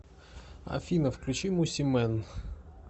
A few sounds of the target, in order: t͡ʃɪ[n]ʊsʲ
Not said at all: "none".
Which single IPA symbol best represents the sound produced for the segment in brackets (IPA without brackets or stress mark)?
m